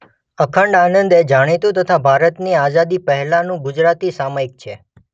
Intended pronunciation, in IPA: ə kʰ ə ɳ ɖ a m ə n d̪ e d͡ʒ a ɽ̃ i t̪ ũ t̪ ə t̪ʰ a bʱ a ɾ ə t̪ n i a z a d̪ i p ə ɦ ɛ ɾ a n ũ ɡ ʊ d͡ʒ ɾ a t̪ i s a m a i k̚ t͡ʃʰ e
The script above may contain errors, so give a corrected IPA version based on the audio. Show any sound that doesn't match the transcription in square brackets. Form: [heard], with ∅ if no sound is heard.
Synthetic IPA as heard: ə kʰ ə ɳ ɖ a [n] ə n d̪ e d͡ʒ a ɽ̃ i t̪ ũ t̪ ə t̪ʰ a bʱ a ɾ ə t̪ n i a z a d̪ i p ə ɦ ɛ [l] a n ũ ɡ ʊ d͡ʒ ɾ a t̪ i s a m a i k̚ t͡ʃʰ e